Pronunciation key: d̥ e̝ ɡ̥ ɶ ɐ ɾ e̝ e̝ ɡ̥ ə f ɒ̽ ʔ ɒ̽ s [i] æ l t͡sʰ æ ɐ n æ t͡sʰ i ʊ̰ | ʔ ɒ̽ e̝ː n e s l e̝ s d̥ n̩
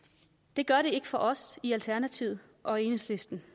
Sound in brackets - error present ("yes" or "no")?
no